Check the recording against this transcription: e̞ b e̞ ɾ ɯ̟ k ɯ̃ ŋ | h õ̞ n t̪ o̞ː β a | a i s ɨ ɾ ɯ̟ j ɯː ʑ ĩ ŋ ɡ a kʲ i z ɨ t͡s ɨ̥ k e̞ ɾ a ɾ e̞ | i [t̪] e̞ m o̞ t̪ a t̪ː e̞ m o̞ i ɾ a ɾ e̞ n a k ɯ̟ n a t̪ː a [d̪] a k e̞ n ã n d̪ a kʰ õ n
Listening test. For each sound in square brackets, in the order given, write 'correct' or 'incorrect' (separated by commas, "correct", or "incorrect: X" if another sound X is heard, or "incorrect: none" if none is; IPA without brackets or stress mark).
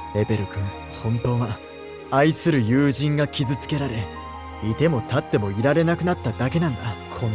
correct, correct